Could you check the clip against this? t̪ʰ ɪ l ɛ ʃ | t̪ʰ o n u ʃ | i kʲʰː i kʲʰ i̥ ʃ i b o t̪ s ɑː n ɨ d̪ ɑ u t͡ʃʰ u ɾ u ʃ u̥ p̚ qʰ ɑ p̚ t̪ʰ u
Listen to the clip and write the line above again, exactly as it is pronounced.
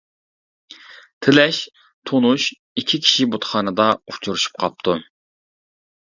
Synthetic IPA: t̪ʰ ɪ l ɛ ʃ | t̪ʰ o n u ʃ | i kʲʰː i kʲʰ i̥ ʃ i b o t̪ χ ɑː n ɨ d̪ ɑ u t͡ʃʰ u ɾ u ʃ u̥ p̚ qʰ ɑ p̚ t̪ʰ u